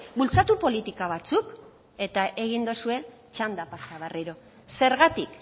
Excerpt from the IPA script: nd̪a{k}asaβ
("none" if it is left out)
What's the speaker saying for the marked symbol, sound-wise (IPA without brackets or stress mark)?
p